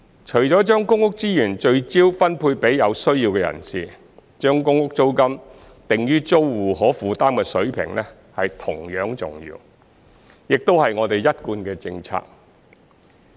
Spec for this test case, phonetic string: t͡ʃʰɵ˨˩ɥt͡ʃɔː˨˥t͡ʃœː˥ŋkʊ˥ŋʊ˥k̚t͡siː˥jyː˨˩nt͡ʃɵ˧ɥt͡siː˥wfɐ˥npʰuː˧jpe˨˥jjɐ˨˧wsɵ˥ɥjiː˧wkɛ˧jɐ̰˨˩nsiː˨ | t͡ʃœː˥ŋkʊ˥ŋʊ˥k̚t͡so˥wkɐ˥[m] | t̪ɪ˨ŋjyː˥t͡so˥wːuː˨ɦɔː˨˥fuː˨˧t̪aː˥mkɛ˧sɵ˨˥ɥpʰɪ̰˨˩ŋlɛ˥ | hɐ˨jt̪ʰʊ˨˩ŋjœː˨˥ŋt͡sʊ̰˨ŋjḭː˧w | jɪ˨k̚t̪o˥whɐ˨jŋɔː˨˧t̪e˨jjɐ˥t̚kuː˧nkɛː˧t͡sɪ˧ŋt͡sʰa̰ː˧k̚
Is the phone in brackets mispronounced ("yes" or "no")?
no